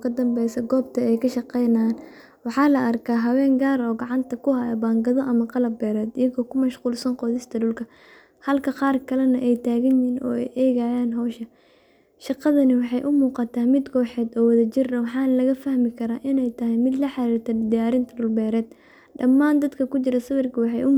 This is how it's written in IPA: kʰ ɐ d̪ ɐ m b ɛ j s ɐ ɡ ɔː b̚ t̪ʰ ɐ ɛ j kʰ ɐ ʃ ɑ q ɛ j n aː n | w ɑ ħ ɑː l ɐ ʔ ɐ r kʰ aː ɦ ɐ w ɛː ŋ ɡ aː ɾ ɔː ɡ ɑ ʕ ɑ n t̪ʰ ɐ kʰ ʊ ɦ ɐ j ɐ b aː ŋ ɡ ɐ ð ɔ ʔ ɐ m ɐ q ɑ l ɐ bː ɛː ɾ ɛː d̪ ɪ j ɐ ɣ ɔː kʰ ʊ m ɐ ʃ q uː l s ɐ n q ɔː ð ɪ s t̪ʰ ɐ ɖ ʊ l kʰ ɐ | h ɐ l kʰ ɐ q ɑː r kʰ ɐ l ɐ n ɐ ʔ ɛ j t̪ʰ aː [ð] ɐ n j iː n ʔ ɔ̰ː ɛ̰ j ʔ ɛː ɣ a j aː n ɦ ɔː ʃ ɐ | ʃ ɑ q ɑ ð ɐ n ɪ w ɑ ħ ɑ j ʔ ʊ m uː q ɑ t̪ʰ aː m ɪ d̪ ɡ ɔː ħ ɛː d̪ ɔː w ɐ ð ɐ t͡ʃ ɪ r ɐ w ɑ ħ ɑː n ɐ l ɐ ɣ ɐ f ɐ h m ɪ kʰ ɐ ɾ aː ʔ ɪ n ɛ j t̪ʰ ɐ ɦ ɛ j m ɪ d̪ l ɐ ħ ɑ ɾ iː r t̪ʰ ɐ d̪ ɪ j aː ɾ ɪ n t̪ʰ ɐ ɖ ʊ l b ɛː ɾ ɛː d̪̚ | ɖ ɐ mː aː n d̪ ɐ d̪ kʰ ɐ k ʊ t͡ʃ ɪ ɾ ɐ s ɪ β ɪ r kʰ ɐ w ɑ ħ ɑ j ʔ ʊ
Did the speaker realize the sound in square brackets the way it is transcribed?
no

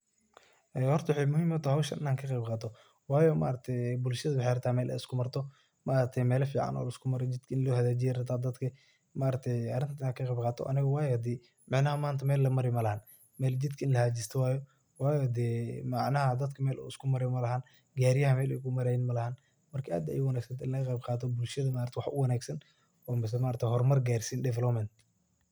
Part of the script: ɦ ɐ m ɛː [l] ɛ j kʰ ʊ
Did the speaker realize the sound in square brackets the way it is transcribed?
yes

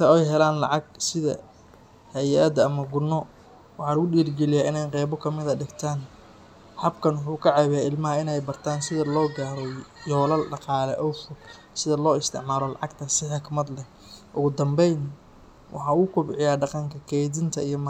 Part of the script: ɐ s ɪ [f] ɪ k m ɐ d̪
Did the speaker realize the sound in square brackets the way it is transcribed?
no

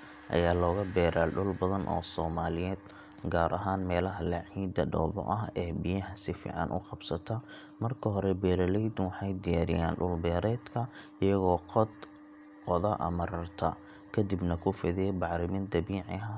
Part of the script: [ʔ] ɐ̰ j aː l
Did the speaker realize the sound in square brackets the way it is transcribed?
yes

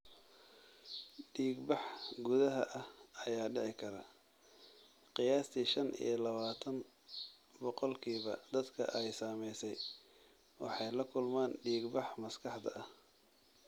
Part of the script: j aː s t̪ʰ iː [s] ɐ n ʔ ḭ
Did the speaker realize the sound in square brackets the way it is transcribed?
no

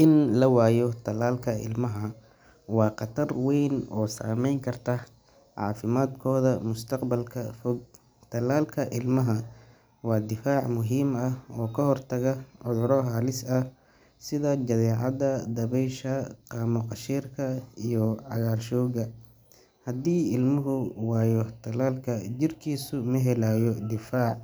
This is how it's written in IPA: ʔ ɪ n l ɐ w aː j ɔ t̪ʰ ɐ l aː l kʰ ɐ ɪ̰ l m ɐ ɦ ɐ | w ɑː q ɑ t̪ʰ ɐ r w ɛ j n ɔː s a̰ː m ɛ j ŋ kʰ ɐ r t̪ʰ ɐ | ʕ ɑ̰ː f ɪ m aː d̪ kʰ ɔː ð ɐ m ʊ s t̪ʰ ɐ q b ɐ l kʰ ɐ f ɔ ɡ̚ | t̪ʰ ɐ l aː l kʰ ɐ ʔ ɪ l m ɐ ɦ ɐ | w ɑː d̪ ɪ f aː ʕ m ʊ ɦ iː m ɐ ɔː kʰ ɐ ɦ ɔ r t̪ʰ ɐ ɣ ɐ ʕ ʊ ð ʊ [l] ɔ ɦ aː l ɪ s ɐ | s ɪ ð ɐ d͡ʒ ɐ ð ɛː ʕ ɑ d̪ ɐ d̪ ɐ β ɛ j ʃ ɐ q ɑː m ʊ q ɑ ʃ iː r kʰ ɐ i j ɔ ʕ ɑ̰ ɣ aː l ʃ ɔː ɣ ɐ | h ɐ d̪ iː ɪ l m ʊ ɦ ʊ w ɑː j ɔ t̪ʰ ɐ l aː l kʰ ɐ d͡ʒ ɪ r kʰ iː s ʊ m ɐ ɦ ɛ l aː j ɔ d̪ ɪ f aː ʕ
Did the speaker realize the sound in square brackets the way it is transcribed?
no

